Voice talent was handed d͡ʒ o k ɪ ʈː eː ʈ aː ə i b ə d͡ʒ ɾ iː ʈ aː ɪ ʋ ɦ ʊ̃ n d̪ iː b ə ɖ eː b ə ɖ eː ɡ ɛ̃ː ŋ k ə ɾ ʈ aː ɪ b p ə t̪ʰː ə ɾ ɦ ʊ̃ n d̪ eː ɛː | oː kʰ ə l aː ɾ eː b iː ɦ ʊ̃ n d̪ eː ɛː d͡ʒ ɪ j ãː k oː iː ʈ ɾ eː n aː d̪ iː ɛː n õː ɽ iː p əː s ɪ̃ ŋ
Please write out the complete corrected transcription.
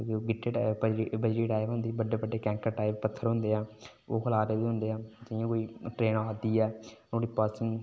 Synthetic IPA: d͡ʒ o ɡ ɪ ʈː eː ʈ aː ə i b ə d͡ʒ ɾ iː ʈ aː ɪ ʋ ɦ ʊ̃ n d̪ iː b ə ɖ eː b ə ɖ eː k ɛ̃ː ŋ k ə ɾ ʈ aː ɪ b p ə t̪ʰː ə ɾ ɦ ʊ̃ n d̪ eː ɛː | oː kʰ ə l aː ɾ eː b iː ɦ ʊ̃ n d̪ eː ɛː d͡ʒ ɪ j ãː k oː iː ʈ ɾ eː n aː d̪ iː ɛː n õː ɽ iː p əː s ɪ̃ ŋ